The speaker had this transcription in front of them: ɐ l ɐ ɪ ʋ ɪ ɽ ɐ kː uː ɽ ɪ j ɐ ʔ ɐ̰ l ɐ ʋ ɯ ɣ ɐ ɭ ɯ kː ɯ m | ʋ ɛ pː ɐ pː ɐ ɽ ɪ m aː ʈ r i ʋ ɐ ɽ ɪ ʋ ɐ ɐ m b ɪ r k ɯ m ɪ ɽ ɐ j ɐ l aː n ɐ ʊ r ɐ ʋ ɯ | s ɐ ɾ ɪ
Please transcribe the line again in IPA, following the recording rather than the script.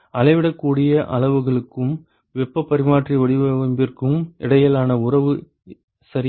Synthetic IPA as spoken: ɐ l ɐ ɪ ʋ ɪ ɽ ɐ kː uː ɽ ɪ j ɐ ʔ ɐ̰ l ɐ ʋ ɯ ɣ ɐ ɭ ɯ kː ɯ m | ʋ ɛ pː ɐ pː ɐ ɾ ɪ m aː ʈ r i ʋ ɐ ɽ ɪ ʋ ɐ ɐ m b ɪ r k ɯ m ɪ ɽ ɐ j ɐ l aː n ɐ ʊ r ɐ ʋ ɯ | s ɐ ɾ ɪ

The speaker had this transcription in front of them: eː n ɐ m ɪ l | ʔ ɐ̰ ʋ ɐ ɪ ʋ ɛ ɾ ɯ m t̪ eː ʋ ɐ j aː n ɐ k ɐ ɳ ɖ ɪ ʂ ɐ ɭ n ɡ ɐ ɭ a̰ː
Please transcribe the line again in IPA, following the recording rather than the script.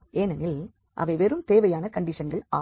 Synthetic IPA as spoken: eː n ɐ n ɪ l | ʔ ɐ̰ ʋ ɐ ɪ ʋ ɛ ɾ ɯ m t̪ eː ʋ ɐ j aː n ɐ k ɐ ɳ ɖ ɪ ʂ ɐ n ɡ ɐ ɭ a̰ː

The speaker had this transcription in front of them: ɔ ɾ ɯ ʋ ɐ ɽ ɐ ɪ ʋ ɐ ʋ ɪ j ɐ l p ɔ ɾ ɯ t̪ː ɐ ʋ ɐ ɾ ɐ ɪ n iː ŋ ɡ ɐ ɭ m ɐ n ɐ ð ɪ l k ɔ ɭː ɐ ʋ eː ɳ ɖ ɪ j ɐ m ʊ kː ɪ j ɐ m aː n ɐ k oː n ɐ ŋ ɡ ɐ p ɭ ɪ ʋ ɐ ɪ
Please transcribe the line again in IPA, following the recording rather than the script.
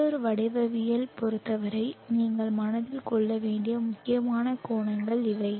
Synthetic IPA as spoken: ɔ ɾ ɯ ʋ ɐ ɽ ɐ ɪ ʋ ɐ ʋ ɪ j ɐ l p ɔ ɾ ɯ t̪ː ɐ ʋ ɐ ɾ ɐ ɪ n iː ŋ ɡ ɐ ɭ m ɐ n ɐ ð ɪ l k ɔ ɭː ɐ ʋ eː ɳ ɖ ɪ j ɐ m ʊ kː ɪ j ɐ m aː n ɐ k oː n ɐ ŋ ɡ ɐ ɭ ɪ ʋ ɐ ɪ

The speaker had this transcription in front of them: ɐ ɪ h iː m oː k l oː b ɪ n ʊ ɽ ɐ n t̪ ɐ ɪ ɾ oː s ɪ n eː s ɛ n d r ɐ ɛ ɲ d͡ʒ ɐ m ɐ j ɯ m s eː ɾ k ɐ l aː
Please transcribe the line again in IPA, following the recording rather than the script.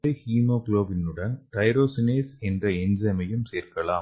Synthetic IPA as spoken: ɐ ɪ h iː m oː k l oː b ɪ n ɯ ɽ ɐ n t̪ ɐ ɪ ɾ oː s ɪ n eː s ɛ n d r ɐ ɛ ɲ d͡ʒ ɐ m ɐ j ɯ m s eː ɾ k ɐ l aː

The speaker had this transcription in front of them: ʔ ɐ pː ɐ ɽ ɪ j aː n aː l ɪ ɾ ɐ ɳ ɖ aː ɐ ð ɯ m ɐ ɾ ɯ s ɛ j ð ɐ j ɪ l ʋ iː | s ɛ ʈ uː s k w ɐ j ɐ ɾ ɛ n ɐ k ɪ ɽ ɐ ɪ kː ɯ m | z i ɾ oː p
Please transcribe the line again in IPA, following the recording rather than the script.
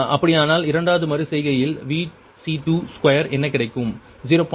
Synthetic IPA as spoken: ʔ ɐ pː ɐ ɽ ɪ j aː n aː l ɪ ɾ ɐ ɳ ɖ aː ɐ ð ɯ m ɐ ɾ ɯ s ɛ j ɣ ɐ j ɪ l ʋ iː | s i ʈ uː s k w ɐ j ɐ ɾ ɛ nː ɐ k ɪ ɽ ɐ ɪ kː ɯ m | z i ɾ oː p

